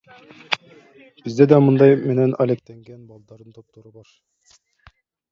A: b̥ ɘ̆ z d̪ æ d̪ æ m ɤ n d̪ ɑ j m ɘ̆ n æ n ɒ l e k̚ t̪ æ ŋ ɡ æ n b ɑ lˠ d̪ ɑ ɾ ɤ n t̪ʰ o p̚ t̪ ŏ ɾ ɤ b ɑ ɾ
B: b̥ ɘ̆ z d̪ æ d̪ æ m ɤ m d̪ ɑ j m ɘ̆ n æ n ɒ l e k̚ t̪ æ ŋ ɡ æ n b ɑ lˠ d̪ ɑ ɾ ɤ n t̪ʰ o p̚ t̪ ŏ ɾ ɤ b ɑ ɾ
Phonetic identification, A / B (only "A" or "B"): A